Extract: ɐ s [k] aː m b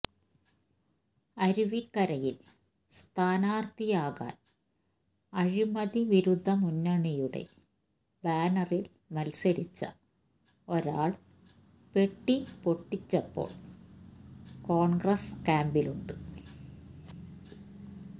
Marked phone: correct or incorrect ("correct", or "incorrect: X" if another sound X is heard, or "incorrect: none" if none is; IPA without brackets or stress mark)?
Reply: correct